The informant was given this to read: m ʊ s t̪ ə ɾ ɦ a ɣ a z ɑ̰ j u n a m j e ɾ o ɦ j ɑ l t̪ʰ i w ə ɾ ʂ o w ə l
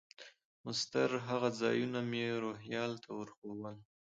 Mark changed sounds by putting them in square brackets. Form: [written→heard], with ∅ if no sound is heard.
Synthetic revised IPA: m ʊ s t̪ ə ɾ ɦ a ɣ a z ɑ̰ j u n a m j e ɾ o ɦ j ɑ l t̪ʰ [i→a] w ə ɾ [ʂ→x] o w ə l